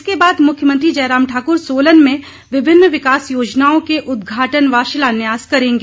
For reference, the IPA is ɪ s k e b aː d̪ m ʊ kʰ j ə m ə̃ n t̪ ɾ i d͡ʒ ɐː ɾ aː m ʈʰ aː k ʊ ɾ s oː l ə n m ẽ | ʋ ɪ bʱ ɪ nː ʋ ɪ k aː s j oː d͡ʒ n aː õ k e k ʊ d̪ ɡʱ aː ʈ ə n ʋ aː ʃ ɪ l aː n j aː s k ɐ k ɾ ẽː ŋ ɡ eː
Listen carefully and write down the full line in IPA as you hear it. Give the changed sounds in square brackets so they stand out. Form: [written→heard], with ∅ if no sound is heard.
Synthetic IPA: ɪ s k e b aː d̪ m ʊ kʰ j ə m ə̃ n t̪ ɾ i d͡ʒ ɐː ɾ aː m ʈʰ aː k ʊ ɾ s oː l ə n m ẽ | ʋ ɪ bʱ ɪ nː ʋ ɪ k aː s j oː d͡ʒ n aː õ k e [k→ʔ] ʊ d̪ ɡʱ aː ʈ ə n ʋ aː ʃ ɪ l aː n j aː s k ɐ [k→∅] ɾ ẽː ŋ ɡ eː